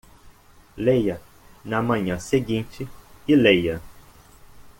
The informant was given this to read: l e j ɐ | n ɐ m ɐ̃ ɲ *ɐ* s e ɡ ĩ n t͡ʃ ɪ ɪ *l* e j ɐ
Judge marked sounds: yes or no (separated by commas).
no, yes